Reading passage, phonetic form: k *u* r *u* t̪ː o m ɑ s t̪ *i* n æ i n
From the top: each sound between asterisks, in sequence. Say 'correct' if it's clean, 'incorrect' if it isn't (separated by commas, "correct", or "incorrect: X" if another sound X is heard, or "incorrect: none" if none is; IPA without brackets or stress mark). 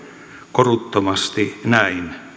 incorrect: o, correct, correct